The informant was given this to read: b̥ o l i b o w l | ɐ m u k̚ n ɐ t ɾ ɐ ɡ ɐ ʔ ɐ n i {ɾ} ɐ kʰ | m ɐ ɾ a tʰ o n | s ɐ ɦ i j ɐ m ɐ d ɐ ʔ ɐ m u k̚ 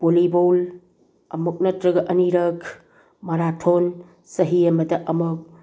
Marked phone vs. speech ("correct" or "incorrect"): correct